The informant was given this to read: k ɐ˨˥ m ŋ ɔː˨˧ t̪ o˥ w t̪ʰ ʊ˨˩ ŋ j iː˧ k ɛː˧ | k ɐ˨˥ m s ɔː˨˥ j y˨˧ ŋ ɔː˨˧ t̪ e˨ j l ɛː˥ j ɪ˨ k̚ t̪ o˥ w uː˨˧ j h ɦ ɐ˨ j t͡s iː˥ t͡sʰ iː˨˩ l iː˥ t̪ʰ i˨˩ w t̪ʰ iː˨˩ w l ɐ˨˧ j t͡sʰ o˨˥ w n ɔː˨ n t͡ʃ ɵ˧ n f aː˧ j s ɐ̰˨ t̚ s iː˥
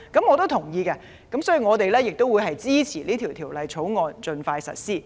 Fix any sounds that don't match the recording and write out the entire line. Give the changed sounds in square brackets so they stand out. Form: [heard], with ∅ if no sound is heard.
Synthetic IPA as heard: k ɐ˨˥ m ŋ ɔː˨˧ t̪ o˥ w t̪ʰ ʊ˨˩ ŋ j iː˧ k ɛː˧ | k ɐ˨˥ m s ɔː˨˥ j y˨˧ ŋ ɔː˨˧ t̪ e˨ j l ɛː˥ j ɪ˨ k̚ t̪ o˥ w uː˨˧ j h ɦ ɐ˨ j t͡s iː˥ t͡sʰ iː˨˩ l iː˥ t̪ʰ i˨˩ w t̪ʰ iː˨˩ w l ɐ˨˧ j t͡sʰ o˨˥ w [ŋ] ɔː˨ n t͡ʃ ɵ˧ n f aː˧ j s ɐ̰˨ t̚ s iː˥

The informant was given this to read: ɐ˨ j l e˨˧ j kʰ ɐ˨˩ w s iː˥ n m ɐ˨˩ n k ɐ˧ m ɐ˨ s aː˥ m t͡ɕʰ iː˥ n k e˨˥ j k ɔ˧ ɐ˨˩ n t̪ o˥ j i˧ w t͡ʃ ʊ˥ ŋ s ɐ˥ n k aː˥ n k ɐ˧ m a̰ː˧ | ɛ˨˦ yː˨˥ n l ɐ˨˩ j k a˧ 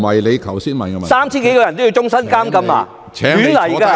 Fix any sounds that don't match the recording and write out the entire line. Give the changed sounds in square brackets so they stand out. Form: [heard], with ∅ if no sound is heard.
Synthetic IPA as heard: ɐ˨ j l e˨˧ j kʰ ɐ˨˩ w s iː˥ n m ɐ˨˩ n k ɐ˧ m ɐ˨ s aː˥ m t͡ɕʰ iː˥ n k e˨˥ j k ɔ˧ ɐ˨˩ n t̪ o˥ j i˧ w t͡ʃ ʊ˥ ŋ s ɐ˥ n k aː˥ [m] k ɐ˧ m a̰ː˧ | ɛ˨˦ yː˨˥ n l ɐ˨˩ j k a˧

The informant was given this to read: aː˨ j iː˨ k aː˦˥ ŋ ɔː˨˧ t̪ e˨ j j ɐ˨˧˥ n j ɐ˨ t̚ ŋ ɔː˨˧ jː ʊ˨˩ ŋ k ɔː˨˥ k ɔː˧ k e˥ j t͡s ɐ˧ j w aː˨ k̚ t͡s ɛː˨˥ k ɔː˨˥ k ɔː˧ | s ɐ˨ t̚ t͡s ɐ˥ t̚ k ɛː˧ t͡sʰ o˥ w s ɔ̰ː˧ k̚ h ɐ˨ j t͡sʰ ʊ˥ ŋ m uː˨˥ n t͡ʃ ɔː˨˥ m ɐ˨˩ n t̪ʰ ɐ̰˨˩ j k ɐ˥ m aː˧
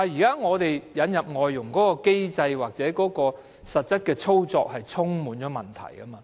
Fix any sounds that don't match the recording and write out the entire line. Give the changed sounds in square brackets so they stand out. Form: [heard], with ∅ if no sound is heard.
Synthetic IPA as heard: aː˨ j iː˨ k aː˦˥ ŋ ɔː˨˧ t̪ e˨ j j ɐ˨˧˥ n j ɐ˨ [p̚] ŋ ɔː˨˧ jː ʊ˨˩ ŋ k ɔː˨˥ k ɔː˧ k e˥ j t͡s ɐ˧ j w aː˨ k̚ t͡s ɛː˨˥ k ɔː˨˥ k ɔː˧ | s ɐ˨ t̚ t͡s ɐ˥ t̚ k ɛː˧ t͡sʰ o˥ w [t͡s] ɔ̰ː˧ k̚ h ɐ˨ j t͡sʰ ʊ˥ ŋ m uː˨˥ n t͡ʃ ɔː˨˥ m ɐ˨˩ n t̪ʰ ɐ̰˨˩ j k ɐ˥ m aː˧

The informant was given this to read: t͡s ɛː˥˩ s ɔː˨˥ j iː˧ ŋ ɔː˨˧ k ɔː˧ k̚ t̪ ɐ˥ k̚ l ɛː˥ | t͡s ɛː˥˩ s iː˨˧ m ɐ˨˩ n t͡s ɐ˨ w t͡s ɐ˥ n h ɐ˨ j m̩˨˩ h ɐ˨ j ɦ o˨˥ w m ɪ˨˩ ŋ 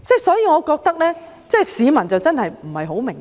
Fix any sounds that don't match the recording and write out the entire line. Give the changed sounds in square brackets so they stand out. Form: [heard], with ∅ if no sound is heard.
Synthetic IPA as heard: t͡s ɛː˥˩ s ɔː˨˥ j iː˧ ŋ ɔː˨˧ k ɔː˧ k̚ t̪ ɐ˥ k̚ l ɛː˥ | t͡s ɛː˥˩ s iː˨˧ m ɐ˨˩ n t͡s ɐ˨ w t͡s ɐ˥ n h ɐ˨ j m̩˨˩ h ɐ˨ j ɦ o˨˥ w m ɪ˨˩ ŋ

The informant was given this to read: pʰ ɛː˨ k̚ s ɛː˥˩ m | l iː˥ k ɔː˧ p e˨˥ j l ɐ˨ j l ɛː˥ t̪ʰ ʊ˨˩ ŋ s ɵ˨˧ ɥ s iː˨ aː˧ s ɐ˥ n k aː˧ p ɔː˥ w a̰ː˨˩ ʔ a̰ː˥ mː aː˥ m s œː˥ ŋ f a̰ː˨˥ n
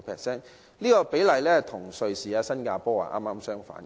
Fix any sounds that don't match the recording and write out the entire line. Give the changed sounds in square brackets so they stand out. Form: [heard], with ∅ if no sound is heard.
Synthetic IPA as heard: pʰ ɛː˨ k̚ s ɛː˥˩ [n] | l iː˥ k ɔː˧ p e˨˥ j l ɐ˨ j l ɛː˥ t̪ʰ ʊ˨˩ ŋ s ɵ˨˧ ɥ s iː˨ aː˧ s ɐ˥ n k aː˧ p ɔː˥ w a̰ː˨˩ ʔ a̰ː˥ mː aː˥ m s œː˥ ŋ f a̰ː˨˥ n

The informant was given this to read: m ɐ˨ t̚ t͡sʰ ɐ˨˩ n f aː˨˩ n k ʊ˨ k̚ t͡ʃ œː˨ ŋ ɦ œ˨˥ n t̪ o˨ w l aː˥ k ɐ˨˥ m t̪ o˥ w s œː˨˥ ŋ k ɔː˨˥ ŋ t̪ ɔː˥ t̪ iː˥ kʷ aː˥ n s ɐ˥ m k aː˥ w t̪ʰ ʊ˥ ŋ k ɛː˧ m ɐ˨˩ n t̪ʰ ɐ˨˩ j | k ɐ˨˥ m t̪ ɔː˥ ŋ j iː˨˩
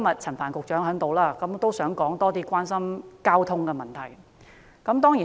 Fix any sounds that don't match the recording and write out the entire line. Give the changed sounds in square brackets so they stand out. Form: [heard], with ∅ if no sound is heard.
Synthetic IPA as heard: m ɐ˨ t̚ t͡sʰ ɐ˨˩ n f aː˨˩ n k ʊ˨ k̚ t͡ʃ [œː˨˥] ŋ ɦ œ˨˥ [ŋ] t̪ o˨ w l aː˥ k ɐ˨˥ m t̪ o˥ w s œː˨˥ ŋ k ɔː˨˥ ŋ t̪ ɔː˥ t̪ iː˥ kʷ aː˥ n s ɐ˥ m k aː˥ w t̪ʰ ʊ˥ ŋ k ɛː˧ m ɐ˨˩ n t̪ʰ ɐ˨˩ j | k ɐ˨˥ m t̪ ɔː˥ ŋ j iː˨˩

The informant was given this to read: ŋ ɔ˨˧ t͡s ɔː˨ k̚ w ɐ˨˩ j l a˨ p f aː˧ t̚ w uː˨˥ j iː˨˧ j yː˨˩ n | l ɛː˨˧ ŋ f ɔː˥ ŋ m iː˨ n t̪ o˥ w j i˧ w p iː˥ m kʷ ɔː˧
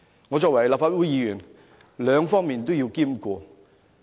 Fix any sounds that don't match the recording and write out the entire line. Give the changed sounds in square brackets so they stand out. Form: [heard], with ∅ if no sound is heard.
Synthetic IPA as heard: ŋ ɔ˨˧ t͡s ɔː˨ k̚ w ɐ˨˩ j l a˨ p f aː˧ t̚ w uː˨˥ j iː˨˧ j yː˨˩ n | l [œː˨˧] ŋ f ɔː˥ ŋ m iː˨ n t̪ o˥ w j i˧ w [k] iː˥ m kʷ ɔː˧

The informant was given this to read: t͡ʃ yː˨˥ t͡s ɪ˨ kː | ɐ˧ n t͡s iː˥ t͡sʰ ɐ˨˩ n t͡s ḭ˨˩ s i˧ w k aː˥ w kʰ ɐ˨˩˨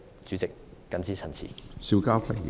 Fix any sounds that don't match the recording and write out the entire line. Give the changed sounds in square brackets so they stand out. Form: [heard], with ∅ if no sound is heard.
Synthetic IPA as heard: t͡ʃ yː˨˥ t͡s ɪ˨ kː | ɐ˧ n t͡s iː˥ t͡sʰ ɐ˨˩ n [t͡sʰ] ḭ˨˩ s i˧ w k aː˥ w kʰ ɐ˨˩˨

